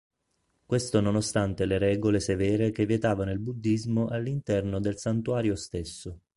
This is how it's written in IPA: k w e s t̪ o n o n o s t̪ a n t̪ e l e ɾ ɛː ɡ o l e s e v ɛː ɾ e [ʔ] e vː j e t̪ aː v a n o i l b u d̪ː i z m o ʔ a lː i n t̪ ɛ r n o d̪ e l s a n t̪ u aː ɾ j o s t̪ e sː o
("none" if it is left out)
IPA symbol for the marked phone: k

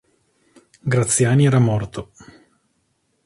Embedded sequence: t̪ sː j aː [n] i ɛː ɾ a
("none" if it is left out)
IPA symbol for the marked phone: n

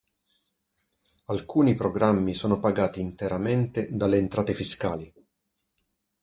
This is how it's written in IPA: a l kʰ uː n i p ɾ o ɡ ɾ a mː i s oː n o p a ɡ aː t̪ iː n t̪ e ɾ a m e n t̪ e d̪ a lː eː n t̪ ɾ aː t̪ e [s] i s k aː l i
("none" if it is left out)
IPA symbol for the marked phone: f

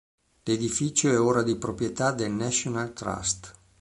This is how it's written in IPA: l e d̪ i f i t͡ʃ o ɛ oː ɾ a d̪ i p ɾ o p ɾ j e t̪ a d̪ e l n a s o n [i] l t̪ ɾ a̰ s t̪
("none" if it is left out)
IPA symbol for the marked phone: a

